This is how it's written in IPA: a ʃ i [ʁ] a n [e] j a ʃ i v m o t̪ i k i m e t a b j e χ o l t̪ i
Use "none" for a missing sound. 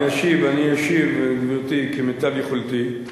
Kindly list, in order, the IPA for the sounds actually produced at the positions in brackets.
v, i

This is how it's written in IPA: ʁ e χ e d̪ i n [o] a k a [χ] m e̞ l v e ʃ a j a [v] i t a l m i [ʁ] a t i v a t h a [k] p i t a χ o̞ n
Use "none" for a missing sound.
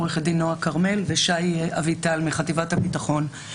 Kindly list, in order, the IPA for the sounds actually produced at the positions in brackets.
o, ʁ, v, χ, none

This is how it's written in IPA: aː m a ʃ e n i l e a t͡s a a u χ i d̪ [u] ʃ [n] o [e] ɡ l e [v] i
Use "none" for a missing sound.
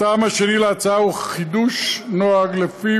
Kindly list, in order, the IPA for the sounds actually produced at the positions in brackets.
u, n, a, f

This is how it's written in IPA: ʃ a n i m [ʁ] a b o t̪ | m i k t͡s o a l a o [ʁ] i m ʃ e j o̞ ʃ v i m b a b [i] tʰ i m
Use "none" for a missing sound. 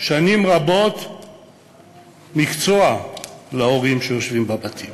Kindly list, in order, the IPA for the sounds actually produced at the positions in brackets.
ʁ, ʁ, a

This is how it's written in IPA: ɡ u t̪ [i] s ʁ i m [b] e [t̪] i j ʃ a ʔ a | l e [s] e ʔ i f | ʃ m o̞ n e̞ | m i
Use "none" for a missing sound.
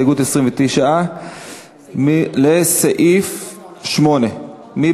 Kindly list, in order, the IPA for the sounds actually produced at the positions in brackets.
e, v, t̪, s

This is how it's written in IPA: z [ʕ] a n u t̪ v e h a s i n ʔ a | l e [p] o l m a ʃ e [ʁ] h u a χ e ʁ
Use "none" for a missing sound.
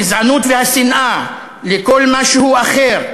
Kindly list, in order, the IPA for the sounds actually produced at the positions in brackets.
ʕ, k, none

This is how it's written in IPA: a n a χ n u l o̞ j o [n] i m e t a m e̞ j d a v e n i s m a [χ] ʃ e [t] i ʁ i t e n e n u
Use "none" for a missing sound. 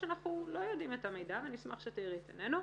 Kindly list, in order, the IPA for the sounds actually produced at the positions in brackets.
d, χ, t

